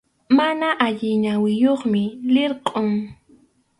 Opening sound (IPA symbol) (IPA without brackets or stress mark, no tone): m